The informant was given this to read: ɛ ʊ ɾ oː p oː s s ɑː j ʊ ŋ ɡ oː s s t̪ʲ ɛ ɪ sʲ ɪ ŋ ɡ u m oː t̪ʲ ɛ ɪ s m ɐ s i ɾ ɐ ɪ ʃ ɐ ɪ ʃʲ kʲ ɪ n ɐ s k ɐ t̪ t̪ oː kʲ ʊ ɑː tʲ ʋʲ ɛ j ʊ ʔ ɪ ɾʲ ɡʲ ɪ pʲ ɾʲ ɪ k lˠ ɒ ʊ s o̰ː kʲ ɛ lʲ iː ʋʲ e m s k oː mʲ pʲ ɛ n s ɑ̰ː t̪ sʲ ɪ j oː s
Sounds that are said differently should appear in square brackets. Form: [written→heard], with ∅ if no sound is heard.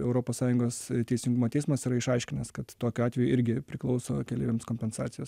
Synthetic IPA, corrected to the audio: ɛ ʊ ɾ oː p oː s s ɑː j ʊ ŋ ɡ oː s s t̪ʲ ɛ ɪ sʲ ɪ ŋ ɡ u m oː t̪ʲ ɛ ɪ s m ɐ s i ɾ ɐ ɪ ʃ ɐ ɪ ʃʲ kʲ ɪ n ɐ s k ɐ t̪ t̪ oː kʲ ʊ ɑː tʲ ʋʲ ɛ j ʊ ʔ ɪ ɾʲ ɡʲ ɪ pʲ ɾʲ ɪ k lˠ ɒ ʊ s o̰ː kʲ ɛ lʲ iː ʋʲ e m s k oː mʲ pʲ ɛ n s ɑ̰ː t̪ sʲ ɪ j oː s